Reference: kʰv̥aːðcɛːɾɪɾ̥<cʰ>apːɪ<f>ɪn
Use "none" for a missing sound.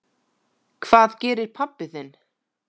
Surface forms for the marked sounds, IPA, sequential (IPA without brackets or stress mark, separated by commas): pʰ, θ